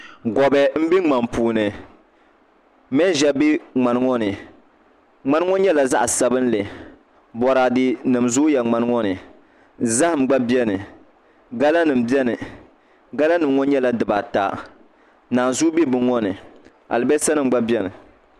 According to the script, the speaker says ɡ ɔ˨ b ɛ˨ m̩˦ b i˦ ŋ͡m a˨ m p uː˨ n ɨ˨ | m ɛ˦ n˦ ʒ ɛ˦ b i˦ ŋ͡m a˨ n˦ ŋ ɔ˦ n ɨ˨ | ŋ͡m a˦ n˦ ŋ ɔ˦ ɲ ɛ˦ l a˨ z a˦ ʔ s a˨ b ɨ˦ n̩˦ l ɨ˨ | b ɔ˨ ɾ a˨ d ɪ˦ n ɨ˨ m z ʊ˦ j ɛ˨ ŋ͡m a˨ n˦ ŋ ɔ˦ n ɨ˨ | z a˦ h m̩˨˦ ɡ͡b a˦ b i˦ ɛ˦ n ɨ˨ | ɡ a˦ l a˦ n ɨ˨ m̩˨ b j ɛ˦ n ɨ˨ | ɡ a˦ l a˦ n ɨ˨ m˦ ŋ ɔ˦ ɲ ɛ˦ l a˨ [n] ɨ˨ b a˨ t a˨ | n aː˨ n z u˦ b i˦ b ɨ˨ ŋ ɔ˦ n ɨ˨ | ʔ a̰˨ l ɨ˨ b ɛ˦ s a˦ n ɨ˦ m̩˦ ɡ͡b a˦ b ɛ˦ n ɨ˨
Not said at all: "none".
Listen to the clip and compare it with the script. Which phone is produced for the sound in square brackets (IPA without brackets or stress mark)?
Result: d